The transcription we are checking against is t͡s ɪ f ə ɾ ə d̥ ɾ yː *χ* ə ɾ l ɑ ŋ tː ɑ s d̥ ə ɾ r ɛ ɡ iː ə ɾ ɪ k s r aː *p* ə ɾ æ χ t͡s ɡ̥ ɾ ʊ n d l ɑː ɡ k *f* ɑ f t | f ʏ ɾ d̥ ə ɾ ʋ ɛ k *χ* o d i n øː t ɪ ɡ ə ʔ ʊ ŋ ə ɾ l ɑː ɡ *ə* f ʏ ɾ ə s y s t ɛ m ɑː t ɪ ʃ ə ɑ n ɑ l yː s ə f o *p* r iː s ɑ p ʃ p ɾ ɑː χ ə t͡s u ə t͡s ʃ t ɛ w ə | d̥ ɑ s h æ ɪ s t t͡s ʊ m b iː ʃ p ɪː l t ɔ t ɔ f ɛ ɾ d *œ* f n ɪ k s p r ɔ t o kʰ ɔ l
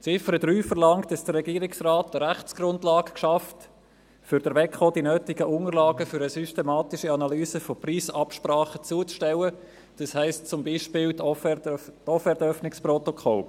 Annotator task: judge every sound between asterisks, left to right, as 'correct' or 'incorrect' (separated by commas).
incorrect, incorrect, incorrect, correct, correct, correct, correct